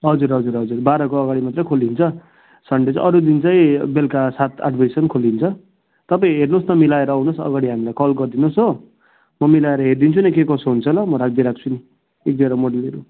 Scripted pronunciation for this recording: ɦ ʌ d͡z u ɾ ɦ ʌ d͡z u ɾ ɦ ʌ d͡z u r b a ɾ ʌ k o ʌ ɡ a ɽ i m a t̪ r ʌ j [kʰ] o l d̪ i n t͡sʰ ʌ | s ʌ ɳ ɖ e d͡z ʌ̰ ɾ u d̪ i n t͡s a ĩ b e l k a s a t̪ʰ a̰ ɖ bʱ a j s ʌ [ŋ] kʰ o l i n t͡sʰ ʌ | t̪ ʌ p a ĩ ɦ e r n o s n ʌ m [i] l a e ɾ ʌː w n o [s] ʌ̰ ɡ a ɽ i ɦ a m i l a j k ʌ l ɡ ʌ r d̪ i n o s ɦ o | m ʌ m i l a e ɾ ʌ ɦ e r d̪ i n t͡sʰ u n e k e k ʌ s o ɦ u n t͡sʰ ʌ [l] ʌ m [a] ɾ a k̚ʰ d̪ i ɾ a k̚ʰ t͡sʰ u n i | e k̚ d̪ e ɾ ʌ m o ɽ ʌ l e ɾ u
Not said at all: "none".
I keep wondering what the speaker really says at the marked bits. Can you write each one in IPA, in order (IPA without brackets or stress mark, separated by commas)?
kʰ, n, i, s, l, ʌ